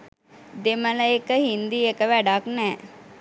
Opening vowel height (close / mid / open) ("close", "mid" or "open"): mid